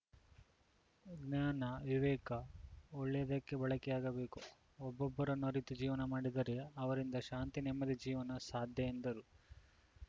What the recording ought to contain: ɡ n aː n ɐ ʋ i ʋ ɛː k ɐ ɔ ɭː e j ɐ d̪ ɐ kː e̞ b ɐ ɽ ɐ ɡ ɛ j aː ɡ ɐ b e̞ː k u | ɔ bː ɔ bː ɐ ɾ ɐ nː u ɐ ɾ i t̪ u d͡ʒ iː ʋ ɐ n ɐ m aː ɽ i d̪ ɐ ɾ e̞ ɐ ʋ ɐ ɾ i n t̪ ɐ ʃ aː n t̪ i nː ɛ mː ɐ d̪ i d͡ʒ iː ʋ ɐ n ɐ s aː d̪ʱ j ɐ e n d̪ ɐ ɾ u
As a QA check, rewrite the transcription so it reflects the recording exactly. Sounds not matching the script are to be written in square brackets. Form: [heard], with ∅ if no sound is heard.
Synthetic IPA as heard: ɡ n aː n ɐ ʋ i ʋ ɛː k ɐ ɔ ɭː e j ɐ d̪ ɐ kː e̞ b ɐ [ɭ] ɐ [k] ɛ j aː ɡ ɐ b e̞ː k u | ɔ bː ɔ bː ɐ ɾ ɐ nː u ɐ ɾ i t̪ u d͡ʒ iː ʋ ɐ n ɐ m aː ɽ i d̪ ɐ ɾ e̞ ɐ ʋ ɐ ɾ i n [d̪] ɐ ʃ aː n t̪ i [n] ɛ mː ɐ d̪ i d͡ʒ iː ʋ ɐ n ɐ s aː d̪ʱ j ɐ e n d̪ ɐ ɾ u